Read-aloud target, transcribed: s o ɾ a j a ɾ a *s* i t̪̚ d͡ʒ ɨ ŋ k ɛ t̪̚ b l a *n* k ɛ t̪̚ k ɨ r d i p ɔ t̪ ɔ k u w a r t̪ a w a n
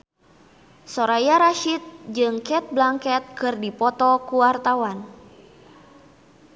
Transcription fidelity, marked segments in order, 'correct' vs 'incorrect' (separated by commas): incorrect, incorrect